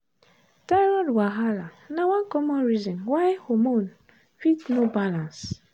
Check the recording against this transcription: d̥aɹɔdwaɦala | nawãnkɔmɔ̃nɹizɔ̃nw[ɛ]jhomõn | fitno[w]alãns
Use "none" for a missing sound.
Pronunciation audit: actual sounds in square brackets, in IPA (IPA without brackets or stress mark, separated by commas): a, b